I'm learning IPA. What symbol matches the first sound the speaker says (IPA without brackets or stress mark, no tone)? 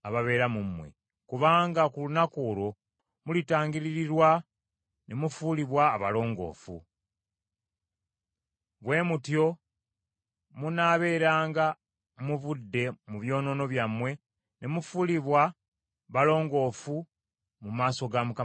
a